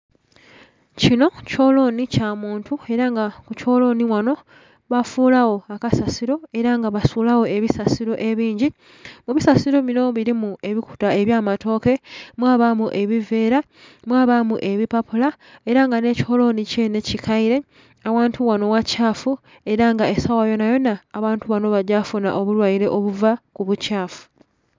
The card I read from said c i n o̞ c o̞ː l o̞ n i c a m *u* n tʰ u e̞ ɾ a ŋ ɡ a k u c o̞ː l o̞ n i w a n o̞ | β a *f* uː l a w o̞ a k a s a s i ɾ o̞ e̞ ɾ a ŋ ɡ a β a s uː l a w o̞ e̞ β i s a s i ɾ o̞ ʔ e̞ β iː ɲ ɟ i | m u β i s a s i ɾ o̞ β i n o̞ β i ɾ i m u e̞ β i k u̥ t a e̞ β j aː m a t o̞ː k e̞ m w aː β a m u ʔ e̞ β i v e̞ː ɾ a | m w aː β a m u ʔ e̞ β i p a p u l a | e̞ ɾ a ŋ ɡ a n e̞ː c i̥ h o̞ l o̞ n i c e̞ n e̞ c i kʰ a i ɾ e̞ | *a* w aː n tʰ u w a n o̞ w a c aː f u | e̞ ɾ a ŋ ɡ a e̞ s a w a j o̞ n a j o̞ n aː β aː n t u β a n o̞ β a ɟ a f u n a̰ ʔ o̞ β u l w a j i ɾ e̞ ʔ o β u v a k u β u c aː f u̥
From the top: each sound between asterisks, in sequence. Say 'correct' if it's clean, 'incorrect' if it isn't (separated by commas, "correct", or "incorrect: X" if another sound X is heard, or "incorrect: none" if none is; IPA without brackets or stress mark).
incorrect: uː, correct, correct